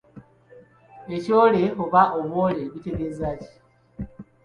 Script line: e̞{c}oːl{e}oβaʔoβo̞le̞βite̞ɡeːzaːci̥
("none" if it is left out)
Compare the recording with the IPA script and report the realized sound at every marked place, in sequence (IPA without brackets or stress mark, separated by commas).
c, e